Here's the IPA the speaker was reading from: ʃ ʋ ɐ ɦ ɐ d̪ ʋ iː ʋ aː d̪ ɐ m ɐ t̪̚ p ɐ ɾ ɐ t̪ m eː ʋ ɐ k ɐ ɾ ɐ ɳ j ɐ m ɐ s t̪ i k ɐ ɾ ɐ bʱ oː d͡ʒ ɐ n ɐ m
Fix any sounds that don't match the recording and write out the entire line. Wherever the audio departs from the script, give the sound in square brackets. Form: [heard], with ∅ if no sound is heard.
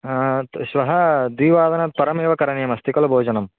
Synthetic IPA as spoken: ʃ ʋ ɐ ɦ ɐ d̪ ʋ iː ʋ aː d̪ ɐ [n] ɐ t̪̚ p ɐ ɾ ɐ [∅] m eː ʋ ɐ k ɐ ɾ ɐ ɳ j ɐ m ɐ s t̪ i k ɐ [l] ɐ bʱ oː d͡ʒ ɐ n ɐ m